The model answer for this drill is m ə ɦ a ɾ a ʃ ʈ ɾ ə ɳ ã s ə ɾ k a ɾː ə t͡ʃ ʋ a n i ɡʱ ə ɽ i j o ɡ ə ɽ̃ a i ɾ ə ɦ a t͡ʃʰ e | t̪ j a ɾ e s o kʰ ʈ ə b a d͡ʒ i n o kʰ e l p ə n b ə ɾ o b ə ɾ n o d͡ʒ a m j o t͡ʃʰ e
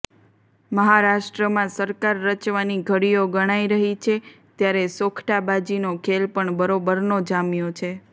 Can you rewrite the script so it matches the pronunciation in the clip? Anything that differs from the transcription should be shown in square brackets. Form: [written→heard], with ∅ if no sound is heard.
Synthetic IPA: m ə ɦ a ɾ a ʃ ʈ ɾ ə [ɳ→m] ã s ə ɾ k a ɾː ə t͡ʃ ʋ a n i ɡʱ ə ɽ i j o ɡ ə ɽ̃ a i ɾ ə ɦ [a→i] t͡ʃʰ e | t̪ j a ɾ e s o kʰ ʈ [ə→a] b a d͡ʒ i n o kʰ e l p ə [n→ɳ] b ə ɾ o b ə ɾ n o d͡ʒ a m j o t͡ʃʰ e

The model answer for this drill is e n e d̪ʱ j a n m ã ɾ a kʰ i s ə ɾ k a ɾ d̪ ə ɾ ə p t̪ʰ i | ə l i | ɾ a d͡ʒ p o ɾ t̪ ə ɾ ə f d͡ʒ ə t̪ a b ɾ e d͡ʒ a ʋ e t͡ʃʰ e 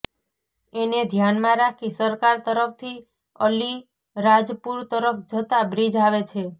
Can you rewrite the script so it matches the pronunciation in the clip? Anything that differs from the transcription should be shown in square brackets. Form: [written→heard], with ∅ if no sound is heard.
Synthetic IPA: e n e d̪ʱ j a n m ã ɾ a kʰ i s ə ɾ k a ɾ [d̪→t̪] ə ɾ ə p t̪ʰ i | ə l i | ɾ a d͡ʒ p [o→u] ɾ t̪ ə ɾ ə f d͡ʒ ə t̪ a b ɾ [e→i] d͡ʒ a ʋ e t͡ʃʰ e

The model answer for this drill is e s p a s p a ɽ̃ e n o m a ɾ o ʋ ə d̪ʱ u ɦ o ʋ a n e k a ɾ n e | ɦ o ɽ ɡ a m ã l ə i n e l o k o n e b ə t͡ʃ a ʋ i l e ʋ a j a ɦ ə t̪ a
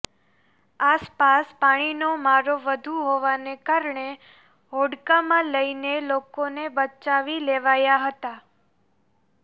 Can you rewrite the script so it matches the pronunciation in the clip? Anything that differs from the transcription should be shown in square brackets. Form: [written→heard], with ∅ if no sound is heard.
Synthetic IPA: [e→a] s p a s p a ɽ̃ [e→i] n o m a ɾ o ʋ ə d̪ʱ u ɦ o ʋ a n e k a ɾ [n→ɳ] e | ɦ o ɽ [ɡ→k] a m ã l ə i n e l o k o n e b ə t͡ʃ a ʋ i l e ʋ a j a ɦ ə t̪ a

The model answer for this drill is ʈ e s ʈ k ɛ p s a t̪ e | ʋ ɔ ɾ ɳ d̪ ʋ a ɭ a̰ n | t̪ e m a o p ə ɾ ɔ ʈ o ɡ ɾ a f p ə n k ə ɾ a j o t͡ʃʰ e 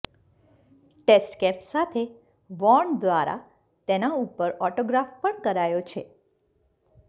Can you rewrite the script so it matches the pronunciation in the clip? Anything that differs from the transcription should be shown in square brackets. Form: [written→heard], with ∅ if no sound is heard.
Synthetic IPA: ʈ e s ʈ k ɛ p s a [t̪→t̪ʰ] e | ʋ ɔ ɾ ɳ d̪ ʋ a [ɭ→ɾ] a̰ [n→∅] | t̪ e [m→n] a [o→u] p ə ɾ ɔ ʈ o ɡ ɾ a f p ə [n→ɳ] k ə ɾ a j o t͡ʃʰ e

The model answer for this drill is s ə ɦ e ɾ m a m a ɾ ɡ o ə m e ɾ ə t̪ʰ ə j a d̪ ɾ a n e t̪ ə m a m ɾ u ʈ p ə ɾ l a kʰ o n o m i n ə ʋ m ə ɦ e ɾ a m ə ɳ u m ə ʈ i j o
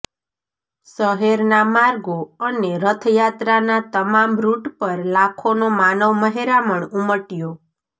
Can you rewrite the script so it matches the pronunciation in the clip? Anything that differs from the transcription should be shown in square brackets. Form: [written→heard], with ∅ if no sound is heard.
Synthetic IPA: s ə ɦ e ɾ [m→n] a m a ɾ ɡ o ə [m→n] e ɾ ə t̪ʰ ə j a [d̪→t̪] ɾ a n [e→a] t̪ ə m a m ɾ u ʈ p ə ɾ l a kʰ o n o m [i→a] n ə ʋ m ə ɦ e ɾ a m ə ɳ u m ə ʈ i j o

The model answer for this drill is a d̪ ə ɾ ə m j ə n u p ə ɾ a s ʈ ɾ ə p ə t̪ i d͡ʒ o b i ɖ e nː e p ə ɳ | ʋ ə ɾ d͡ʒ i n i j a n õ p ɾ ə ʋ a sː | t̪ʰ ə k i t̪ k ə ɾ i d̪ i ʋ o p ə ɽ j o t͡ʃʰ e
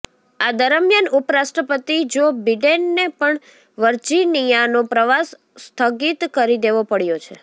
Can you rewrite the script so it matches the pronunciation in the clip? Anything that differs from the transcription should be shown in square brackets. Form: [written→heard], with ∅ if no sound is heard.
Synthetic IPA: a d̪ ə ɾ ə m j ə n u p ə ɾ a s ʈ ɾ ə p ə t̪ i d͡ʒ o b i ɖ e nː e p ə ɳ | ʋ ə ɾ d͡ʒ i n i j a n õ p ɾ ə ʋ a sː | t̪ʰ ə [k→ɡ] i t̪ k ə ɾ i d̪ [i→e] ʋ o p ə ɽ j o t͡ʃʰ e

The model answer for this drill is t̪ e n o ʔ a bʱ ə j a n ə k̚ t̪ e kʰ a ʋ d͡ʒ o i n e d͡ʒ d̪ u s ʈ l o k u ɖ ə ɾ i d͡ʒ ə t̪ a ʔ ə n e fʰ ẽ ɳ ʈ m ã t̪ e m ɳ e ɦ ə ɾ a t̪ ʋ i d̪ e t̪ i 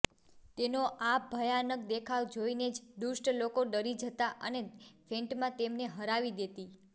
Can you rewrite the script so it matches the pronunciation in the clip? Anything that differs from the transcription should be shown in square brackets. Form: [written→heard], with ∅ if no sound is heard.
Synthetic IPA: t̪ e n o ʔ a bʱ ə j a n ə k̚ [t̪→d̪] e kʰ a ʋ d͡ʒ o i n e d͡ʒ d̪ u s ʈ l o k [u→o] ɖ ə ɾ i d͡ʒ ə t̪ a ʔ ə n e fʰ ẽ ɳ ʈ m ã t̪ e m [ɳ→n] e ɦ ə ɾ a [t̪→∅] ʋ i d̪ e t̪ i

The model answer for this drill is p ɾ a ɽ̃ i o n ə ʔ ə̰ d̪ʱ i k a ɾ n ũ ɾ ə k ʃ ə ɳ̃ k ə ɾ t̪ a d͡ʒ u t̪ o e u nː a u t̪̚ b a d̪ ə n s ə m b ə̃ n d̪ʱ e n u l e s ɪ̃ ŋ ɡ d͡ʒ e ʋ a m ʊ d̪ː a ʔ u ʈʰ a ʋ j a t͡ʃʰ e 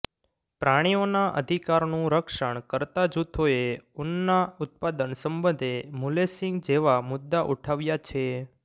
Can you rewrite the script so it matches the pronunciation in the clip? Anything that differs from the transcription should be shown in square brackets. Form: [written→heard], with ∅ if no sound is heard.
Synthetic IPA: p ɾ a ɽ̃ i o n [ə→a] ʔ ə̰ d̪ʱ i k a ɾ n ũ ɾ ə k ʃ ə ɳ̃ k ə ɾ t̪ a d͡ʒ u [t̪→t̪ʰ] o e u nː a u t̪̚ [b→p] a d̪ ə n s ə m b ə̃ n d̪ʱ e [n→m] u l e s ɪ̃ ŋ ɡ d͡ʒ e ʋ a m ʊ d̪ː a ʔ u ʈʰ a ʋ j a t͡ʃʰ e

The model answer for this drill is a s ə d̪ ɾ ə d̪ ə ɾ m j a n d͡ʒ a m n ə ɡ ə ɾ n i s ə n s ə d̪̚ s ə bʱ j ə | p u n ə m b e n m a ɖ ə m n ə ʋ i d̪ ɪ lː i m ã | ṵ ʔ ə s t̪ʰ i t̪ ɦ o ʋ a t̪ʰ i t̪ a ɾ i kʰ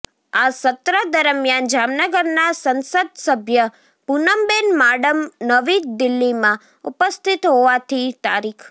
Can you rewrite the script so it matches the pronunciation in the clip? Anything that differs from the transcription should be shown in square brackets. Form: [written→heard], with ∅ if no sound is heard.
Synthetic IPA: a s ə [d̪→t̪] ɾ ə d̪ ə ɾ m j a n d͡ʒ a m n ə ɡ ə ɾ n [i→a] s ə n s ə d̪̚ s ə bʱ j ə | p u n ə m b e n m a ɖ ə m n ə ʋ i d̪ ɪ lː i m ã | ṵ [ʔ→p] ə s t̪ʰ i t̪ ɦ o ʋ a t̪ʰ i t̪ a ɾ i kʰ

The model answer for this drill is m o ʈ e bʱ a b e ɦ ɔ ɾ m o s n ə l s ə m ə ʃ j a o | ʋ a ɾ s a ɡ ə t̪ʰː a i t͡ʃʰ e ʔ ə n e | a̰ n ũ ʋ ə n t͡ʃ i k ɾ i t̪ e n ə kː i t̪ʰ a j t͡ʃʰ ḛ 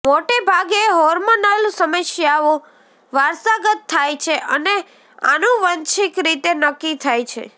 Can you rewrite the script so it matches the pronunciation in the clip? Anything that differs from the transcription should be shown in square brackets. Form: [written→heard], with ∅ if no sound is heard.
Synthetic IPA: m o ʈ e bʱ a [b→ɡ] e ɦ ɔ ɾ m o [s→∅] n ə l s ə m ə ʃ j a o | ʋ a ɾ s a ɡ ə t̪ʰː a [i→j] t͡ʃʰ e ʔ ə n e | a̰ n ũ ʋ ə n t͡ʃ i k ɾ i t̪ e n ə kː i t̪ʰ a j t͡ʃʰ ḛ

